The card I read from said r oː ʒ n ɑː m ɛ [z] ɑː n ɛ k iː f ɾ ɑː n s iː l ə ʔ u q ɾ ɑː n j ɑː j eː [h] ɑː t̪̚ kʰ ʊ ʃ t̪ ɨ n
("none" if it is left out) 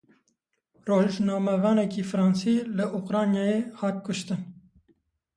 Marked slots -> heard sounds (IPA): v, h

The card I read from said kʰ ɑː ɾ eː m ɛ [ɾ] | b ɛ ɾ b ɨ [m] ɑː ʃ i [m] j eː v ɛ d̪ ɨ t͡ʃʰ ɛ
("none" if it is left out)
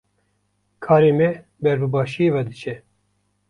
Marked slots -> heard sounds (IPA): none, b, none

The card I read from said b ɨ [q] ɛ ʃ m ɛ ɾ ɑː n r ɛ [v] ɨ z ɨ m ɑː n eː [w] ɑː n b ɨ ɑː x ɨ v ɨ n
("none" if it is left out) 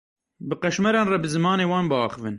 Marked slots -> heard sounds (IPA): q, b, w

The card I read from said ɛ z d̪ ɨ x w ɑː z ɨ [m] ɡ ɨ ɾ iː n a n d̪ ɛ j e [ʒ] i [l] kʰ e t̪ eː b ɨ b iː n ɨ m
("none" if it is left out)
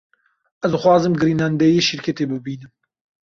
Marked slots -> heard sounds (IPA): m, ʃ, ɾ

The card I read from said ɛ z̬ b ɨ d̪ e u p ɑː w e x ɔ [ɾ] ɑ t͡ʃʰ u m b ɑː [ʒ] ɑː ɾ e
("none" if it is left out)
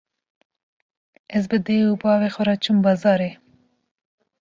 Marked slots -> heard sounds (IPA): ɾ, z

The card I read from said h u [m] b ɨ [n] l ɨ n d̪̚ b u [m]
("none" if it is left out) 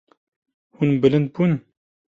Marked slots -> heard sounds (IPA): n, none, n

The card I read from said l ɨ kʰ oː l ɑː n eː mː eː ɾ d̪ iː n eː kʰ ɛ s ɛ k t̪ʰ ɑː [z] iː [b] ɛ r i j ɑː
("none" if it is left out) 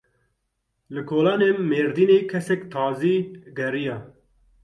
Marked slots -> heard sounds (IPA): z, ɡ

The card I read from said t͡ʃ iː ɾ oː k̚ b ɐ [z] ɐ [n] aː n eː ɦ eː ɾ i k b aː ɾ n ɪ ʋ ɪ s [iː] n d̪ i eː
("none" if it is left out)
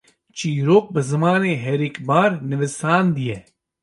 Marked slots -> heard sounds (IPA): z, m, aː

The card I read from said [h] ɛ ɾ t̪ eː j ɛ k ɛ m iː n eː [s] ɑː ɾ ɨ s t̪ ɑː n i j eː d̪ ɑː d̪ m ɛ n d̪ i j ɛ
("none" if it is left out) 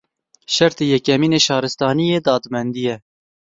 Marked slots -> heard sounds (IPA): ʃ, ʃ

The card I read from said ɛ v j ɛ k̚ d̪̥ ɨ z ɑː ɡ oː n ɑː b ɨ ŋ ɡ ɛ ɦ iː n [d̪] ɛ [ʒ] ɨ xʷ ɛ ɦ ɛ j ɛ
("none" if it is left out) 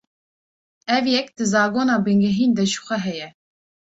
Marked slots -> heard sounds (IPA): d̪, ʒ

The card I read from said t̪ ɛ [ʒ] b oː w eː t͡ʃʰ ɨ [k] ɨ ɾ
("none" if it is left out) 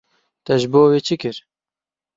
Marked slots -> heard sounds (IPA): ʒ, k

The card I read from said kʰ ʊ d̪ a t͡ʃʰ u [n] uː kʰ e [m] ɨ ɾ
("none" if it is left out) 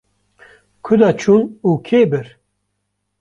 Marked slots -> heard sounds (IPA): n, b

